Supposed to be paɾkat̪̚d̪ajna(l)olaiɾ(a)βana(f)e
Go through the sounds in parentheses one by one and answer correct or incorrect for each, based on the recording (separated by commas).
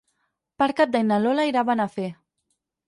correct, correct, correct